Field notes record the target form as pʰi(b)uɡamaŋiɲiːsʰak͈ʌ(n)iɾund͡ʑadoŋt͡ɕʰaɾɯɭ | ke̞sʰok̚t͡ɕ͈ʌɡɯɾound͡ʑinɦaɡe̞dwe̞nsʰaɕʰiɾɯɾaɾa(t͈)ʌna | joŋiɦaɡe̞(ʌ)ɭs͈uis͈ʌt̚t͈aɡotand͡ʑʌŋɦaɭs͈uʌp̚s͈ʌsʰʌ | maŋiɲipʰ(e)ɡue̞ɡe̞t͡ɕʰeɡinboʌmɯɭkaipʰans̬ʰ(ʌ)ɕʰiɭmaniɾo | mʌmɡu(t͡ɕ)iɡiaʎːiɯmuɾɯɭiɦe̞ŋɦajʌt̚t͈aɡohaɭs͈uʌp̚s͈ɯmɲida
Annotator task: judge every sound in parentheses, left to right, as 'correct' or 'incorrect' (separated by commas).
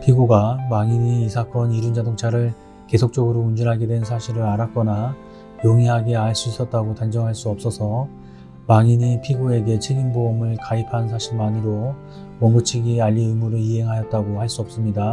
incorrect, correct, incorrect, incorrect, incorrect, incorrect, incorrect